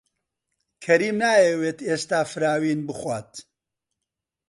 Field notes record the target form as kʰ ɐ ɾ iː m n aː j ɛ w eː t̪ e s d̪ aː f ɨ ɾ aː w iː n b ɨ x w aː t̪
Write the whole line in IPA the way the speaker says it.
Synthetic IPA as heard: kʰ ɐ ɾ iː m n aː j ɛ w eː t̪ e s t̪ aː f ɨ ɾ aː w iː n b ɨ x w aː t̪